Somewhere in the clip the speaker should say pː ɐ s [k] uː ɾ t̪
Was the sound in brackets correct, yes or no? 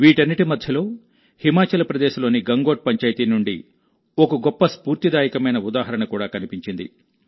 no